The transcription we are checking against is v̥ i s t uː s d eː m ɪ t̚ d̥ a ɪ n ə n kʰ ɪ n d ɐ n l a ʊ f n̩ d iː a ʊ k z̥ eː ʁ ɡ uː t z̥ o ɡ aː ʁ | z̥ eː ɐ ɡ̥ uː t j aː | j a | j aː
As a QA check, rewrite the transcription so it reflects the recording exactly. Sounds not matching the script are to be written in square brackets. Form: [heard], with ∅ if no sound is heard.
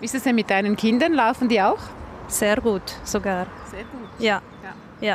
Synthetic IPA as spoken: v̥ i s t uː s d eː m ɪ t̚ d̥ a ɪ n ə n kʰ ɪ n d ɐ n l a ʊ f n̩ d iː a ʊ [x] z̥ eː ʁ ɡ uː t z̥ o ɡ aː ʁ | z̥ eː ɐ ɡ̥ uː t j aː | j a | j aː